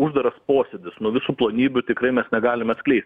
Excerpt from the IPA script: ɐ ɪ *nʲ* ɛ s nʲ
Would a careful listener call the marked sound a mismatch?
yes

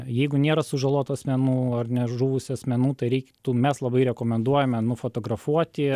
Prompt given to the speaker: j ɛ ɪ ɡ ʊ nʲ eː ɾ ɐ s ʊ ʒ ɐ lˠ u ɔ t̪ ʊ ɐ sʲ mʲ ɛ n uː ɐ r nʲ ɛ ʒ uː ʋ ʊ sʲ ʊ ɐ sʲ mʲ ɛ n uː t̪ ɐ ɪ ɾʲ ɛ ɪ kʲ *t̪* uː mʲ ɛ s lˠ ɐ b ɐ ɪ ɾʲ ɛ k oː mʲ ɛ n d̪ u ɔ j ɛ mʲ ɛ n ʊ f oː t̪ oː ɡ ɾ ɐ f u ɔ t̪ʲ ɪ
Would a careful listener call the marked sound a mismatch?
no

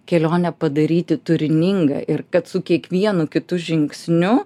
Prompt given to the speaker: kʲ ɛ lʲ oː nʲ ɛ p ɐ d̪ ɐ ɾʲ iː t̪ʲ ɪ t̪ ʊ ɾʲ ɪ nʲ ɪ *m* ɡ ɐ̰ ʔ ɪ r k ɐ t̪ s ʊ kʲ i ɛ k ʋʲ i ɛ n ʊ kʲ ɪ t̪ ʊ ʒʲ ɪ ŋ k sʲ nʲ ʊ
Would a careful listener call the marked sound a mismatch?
yes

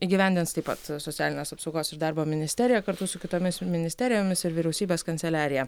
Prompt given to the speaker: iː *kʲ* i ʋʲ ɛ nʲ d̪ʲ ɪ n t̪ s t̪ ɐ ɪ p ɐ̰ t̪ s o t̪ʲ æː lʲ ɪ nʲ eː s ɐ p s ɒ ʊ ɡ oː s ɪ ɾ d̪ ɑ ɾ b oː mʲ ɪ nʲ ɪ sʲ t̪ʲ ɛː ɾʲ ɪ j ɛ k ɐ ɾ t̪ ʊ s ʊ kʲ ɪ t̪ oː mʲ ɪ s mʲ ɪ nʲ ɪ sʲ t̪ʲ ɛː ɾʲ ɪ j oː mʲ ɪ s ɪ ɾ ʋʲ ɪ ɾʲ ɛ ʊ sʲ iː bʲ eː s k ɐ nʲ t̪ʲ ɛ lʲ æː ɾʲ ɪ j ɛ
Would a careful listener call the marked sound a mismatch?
yes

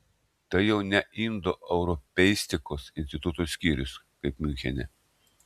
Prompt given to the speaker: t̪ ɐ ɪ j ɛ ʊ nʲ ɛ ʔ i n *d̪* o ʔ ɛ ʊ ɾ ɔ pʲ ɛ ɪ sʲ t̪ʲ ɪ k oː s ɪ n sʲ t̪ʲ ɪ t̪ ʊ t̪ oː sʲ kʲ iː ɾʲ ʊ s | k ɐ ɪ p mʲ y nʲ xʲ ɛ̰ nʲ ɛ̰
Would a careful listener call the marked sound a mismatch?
no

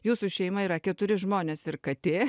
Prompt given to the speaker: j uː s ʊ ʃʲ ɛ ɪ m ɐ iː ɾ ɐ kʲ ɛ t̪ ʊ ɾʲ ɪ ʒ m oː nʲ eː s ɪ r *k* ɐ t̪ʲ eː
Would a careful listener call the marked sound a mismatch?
no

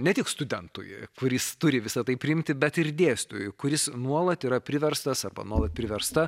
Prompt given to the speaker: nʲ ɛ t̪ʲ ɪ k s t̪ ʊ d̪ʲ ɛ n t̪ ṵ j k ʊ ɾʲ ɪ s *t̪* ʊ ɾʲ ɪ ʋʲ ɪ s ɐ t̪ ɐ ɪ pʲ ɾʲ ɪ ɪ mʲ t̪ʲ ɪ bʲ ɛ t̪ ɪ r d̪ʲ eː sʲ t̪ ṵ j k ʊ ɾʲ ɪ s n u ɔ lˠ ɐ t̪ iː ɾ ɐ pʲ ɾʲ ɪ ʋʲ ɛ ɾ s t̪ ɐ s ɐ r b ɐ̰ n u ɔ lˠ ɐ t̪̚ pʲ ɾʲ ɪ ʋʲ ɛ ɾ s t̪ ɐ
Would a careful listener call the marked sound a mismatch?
no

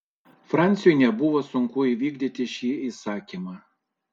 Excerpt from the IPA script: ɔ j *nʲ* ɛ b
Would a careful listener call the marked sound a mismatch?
no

